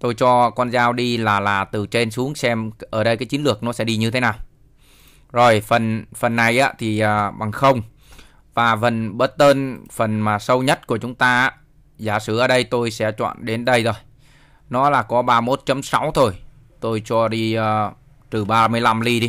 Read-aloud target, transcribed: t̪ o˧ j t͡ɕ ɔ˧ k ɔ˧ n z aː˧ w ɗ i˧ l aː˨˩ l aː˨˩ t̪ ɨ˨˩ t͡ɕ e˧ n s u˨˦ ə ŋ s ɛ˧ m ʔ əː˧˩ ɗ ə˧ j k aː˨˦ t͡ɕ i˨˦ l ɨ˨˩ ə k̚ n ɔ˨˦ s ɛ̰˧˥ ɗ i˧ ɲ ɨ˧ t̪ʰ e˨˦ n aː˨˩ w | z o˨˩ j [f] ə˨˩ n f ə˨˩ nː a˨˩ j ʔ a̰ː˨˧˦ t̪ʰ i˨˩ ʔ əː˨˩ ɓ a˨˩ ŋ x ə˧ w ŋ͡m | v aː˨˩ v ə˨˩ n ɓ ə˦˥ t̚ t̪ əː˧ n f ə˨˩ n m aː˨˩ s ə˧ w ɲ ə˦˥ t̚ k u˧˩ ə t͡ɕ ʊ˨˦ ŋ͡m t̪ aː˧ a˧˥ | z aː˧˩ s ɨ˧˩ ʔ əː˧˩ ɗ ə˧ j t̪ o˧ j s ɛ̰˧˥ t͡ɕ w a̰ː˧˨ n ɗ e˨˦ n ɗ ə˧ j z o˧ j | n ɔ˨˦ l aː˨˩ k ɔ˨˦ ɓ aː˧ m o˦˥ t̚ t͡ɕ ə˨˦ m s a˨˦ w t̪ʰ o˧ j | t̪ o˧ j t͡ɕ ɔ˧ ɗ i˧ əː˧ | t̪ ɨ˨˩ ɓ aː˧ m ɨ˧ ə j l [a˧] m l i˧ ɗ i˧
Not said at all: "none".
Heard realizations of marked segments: f, a˧

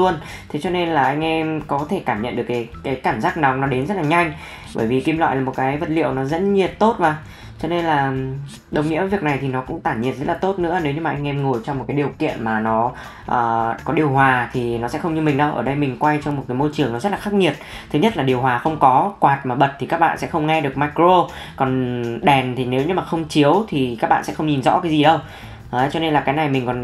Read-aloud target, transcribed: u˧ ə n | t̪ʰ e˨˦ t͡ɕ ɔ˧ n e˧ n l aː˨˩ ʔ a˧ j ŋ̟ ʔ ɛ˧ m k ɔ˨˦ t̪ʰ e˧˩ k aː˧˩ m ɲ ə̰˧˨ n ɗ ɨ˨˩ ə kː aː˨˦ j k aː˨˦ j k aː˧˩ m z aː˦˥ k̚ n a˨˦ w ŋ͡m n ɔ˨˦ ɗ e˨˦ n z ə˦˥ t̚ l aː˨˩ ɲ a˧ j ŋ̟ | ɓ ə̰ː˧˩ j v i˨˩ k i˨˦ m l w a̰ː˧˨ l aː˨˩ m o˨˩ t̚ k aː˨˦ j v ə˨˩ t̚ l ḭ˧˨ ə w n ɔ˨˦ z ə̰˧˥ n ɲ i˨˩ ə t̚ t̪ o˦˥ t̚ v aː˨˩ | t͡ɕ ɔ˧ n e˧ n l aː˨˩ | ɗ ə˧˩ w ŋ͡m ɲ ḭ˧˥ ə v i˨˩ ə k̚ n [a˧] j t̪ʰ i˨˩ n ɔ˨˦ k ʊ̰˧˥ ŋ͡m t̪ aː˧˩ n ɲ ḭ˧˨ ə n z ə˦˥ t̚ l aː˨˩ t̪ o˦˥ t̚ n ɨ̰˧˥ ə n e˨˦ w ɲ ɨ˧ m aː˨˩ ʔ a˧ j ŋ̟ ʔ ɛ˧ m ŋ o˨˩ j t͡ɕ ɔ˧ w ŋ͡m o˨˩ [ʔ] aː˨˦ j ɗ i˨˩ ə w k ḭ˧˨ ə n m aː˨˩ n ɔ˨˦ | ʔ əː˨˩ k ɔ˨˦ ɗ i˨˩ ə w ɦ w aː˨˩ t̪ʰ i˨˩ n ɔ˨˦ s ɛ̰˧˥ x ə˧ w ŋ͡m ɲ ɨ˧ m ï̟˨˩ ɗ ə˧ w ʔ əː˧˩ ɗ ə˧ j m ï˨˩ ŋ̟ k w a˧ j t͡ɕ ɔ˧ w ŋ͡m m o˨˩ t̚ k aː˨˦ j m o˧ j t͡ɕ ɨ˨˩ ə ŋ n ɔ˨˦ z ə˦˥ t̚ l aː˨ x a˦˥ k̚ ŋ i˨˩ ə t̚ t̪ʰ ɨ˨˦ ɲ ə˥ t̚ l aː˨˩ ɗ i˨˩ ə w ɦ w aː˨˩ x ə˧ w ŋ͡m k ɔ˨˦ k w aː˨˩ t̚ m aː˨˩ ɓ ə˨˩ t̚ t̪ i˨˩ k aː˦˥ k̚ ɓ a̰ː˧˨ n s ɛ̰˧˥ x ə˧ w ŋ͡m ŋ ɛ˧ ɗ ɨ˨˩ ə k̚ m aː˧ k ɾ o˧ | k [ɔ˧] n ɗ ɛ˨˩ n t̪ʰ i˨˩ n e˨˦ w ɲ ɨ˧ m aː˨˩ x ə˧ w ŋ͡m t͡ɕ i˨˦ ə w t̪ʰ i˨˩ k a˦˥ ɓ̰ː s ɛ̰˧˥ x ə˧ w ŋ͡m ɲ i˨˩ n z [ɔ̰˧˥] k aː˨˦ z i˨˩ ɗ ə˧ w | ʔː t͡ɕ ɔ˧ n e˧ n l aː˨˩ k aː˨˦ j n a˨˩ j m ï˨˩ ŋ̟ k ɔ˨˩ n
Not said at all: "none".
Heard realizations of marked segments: a˨˩, k, ɔ˨˩, ɔ̰˧˥

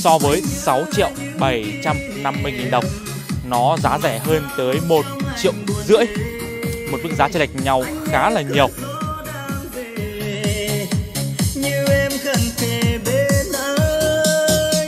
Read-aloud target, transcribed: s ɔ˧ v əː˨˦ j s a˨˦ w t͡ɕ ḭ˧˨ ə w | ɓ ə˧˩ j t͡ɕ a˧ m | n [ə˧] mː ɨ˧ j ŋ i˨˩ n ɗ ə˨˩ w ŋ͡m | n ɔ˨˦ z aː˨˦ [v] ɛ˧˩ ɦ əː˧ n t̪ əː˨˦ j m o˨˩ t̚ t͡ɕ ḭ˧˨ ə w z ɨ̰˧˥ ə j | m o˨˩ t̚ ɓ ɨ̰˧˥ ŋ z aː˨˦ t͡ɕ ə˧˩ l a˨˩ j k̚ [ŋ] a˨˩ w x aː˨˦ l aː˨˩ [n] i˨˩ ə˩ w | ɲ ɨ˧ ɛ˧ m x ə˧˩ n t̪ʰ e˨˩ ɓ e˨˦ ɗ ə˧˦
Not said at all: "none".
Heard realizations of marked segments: a˧, z, ɲ, ɲ

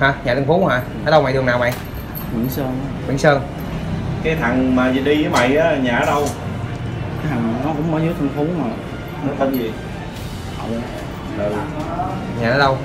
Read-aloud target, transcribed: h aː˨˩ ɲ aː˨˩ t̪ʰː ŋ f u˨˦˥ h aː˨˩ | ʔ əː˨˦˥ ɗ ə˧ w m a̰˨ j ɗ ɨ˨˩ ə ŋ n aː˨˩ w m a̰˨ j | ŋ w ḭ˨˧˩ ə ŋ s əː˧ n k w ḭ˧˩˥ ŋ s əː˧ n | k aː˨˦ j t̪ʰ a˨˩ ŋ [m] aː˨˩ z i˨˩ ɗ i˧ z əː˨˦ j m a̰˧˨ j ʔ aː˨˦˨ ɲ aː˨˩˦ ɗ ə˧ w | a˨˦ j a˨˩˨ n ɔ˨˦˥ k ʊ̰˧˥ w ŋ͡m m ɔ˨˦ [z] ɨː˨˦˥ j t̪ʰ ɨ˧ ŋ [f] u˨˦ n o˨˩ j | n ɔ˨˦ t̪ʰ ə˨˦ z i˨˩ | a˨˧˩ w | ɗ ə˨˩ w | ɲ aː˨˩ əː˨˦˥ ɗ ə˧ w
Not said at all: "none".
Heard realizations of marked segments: m, z, f

